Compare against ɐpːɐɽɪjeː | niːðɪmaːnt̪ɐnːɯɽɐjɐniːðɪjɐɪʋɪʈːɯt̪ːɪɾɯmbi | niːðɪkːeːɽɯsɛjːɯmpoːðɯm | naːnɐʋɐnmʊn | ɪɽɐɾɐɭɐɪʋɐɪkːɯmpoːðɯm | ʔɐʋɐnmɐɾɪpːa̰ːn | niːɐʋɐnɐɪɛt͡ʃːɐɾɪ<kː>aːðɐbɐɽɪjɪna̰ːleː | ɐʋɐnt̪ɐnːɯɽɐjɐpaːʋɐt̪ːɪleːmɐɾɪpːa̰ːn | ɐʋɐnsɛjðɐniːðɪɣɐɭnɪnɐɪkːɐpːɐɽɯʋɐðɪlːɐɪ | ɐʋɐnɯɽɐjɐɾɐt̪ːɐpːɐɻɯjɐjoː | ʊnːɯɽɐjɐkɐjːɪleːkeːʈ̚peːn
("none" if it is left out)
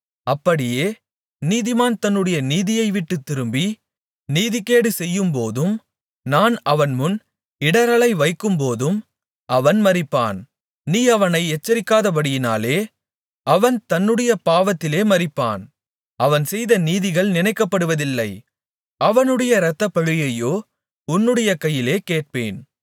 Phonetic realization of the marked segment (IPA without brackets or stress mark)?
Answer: kː